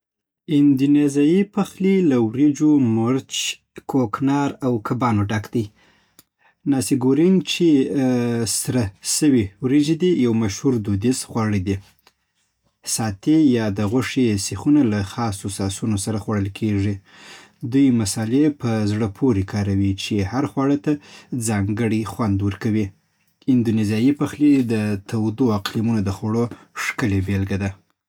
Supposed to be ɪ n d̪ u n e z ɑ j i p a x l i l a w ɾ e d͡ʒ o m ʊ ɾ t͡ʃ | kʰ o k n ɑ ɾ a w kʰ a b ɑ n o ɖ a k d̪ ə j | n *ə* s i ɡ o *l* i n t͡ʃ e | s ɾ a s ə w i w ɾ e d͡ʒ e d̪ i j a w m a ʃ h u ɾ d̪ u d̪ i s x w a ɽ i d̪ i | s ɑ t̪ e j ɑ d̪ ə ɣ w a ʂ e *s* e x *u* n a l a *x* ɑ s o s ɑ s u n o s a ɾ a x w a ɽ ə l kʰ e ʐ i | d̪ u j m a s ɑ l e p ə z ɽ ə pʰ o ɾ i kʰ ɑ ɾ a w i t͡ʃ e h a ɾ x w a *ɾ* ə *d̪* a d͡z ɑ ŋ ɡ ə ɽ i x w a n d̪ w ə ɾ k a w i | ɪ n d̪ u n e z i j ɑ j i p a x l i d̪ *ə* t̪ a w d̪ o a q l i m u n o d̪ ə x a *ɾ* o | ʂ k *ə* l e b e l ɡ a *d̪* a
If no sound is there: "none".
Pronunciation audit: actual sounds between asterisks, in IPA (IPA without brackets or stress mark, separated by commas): ɑ, ɾ, s, u, x, ɽ, t̪, ə, ɽ, ə, d̪